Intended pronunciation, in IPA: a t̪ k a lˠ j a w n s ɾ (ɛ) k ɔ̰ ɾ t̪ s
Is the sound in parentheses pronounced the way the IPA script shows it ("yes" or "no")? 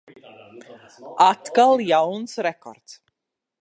yes